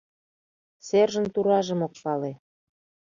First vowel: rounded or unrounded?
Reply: unrounded